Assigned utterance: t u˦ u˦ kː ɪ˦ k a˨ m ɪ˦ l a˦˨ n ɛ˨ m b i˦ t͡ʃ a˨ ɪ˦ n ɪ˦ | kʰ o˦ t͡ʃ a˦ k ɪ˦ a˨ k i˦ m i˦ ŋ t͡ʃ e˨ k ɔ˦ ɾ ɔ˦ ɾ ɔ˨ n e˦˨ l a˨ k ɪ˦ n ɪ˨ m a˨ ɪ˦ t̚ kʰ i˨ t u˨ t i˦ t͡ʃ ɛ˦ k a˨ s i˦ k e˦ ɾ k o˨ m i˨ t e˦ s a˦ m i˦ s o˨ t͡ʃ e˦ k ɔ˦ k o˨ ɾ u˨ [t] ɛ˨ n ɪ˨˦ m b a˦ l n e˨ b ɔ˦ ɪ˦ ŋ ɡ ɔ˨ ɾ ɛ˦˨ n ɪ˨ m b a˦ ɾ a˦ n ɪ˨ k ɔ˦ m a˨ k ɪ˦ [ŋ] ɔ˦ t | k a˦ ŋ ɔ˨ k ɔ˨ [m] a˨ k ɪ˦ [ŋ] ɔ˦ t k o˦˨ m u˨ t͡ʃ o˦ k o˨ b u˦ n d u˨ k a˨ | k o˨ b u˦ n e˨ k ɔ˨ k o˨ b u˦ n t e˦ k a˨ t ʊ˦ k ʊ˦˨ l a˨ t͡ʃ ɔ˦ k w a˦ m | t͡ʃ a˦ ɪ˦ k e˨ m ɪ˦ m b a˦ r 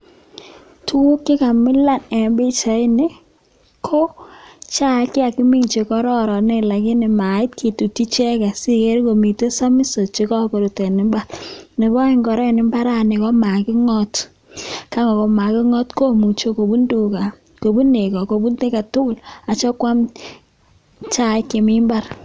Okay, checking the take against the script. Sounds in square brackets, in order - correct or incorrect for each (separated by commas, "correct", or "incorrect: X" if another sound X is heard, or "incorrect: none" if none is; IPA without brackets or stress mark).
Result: correct, correct, correct, correct